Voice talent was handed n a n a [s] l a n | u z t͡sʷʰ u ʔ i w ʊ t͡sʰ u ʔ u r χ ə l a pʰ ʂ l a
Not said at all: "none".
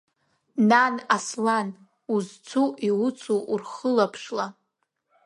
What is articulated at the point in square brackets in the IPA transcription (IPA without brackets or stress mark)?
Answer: s